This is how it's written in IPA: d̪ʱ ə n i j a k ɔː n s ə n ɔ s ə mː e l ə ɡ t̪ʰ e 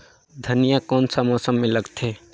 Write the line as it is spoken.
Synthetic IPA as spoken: d̪ʱ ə n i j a k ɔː n s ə m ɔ s ə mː e l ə ɡ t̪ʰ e